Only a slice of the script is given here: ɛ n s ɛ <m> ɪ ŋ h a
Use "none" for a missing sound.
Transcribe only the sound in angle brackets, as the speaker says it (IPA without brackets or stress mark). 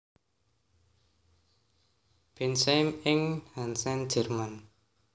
m